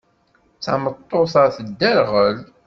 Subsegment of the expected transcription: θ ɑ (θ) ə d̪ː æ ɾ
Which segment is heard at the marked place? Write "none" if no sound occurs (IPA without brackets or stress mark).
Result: θ